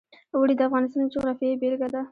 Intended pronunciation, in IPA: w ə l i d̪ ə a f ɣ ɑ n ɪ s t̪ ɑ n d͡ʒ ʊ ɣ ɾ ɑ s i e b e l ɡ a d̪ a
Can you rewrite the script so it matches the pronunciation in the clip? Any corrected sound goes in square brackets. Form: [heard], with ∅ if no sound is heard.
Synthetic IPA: w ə [ɽ] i d̪ ə a f ɣ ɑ n ɪ s t̪ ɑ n d͡ʒ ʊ ɣ ɾ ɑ [f] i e b e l ɡ a d̪ a